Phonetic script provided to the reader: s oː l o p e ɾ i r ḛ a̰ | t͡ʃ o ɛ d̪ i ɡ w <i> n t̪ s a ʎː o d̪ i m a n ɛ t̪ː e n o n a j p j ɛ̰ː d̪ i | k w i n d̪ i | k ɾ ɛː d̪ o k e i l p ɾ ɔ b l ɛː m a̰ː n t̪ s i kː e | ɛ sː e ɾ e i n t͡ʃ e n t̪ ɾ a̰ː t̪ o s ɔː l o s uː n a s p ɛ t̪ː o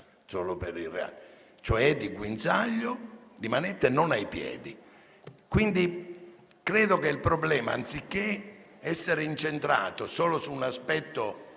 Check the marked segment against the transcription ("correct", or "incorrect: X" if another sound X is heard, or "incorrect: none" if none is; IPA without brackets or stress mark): correct